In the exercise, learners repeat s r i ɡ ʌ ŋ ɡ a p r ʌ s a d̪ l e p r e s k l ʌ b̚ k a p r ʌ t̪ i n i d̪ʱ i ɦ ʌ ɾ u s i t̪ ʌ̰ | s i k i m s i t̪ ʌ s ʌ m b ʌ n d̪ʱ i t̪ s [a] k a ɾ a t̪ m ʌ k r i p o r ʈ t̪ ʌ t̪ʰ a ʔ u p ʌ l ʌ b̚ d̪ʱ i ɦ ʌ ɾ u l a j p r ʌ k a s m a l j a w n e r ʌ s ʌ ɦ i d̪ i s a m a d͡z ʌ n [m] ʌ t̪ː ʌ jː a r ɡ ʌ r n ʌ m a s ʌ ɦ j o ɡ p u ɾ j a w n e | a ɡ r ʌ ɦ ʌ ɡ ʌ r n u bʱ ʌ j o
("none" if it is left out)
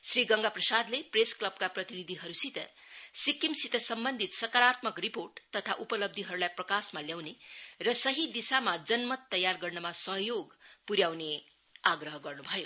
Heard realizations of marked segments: ʌ, m

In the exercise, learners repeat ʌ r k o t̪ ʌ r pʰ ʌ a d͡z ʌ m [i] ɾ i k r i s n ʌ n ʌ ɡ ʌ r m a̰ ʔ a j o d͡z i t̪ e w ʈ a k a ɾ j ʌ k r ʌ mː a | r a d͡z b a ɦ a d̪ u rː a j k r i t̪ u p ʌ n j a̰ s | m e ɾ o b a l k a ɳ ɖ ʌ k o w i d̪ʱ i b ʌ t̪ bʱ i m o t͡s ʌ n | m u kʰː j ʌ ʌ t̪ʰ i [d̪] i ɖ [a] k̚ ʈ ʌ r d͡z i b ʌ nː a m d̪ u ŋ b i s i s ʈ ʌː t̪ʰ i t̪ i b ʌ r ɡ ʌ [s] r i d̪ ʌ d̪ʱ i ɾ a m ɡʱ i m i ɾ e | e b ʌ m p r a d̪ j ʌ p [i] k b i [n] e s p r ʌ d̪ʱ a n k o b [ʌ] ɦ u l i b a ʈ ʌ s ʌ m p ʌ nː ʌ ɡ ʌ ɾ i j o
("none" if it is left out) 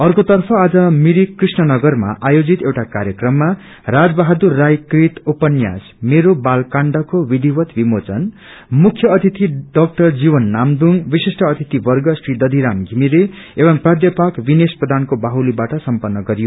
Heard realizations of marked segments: i, t̪, ʌ, s, a, n, a

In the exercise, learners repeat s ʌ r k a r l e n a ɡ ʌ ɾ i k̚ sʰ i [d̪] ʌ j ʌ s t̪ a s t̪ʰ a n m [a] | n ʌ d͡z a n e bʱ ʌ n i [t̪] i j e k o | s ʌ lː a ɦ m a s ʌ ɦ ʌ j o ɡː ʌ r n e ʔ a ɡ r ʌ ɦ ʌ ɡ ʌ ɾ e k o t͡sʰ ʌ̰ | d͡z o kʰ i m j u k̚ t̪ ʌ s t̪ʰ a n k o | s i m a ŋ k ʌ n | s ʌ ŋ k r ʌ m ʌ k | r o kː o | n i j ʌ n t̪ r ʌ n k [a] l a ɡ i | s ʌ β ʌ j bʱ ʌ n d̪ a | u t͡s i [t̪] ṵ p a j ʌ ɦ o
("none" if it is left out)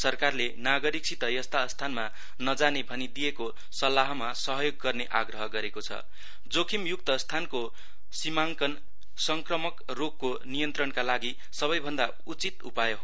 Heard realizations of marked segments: t̪, a, d̪, a, t̪

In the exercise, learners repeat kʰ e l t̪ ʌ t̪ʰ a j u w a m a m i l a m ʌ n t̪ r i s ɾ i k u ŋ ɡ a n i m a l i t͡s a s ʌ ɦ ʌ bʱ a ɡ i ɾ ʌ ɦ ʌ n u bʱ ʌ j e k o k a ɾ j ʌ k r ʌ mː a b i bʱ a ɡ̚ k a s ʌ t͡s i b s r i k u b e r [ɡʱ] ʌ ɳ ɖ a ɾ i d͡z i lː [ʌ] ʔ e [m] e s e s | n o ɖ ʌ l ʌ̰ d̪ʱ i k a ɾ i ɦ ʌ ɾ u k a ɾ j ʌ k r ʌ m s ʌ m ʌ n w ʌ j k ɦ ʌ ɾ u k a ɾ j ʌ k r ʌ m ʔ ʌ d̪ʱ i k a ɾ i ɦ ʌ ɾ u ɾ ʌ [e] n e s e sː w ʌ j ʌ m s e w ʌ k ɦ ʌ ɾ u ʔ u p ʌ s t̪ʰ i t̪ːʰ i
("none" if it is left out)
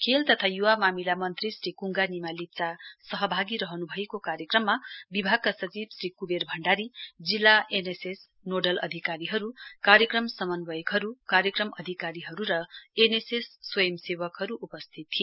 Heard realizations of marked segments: bʱ, a, n, e

